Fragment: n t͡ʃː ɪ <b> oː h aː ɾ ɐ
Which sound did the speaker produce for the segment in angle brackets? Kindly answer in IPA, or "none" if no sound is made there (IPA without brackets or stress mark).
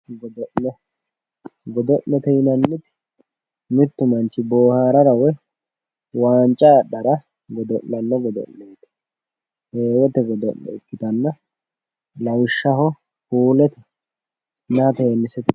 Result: b